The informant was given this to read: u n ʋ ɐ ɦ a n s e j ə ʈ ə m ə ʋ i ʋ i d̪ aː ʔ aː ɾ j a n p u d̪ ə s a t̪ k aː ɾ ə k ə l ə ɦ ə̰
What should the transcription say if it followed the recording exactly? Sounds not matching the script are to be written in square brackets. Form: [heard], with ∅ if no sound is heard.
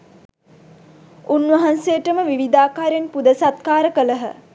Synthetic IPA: u n ʋ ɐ ɦ a n s e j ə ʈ ə m ə ʋ i ʋ i d̪ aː [k] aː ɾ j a n p u d̪ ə s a t̪ k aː ɾ ə k ə l ə ɦ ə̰